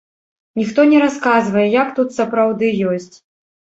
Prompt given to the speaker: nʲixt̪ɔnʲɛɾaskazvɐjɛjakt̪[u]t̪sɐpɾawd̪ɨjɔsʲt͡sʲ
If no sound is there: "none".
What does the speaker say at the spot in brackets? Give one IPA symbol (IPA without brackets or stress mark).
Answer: u